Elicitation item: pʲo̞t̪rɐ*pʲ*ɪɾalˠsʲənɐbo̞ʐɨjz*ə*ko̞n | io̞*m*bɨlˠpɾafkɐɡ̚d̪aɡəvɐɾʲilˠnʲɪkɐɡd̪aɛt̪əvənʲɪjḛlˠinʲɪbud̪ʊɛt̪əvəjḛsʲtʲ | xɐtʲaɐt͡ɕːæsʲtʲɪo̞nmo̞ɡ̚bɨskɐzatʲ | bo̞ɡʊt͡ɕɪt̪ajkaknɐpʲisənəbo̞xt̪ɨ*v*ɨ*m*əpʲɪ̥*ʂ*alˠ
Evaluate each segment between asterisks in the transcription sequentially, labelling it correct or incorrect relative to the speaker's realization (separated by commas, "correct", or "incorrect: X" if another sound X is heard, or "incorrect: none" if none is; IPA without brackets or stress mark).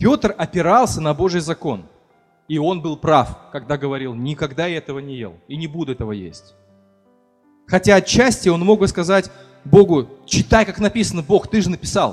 correct, incorrect: ɐ, incorrect: n, incorrect: ʐ, incorrect: n, incorrect: s